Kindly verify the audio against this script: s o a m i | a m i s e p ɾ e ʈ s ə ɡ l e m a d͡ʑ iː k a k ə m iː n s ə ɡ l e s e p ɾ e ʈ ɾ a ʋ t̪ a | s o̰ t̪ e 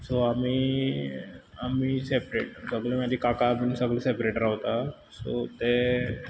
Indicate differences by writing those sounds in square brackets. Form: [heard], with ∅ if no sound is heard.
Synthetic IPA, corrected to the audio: s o a m i | a m i s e p ɾ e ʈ s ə ɡ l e m a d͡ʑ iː k a k [a] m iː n s ə ɡ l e s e p ɾ e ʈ ɾ a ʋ t̪ a | s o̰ t̪ e